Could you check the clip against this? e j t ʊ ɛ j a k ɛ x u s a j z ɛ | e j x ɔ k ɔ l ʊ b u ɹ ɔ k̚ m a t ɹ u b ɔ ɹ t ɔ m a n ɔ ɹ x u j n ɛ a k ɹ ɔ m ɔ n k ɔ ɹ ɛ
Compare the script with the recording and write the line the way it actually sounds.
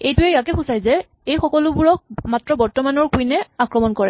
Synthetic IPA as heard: e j t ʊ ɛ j a k ɛ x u s a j z ɛ | e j x ɔ k ɔ l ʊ b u ɹ ɔ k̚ m a t ɹ ɔ b ɔ ɹ t ɔ m a n ɔ ɹ k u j n ɛ a k ɹ ɔ m ɔ n k ɔ ɹ ɛ

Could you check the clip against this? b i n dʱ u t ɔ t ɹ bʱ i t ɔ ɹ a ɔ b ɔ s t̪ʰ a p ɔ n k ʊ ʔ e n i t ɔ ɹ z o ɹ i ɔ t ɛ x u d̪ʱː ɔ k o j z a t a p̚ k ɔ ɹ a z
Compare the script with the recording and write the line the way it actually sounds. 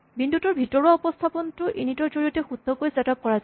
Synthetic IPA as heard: b i n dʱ u t ɔ ɹ bʱ i t ɔ ɹ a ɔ p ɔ s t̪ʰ a p ɔ n t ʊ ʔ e n i t ɔ ɹ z o ɹ i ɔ t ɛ x u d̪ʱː ɔ k o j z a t a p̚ k ɔ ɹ a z

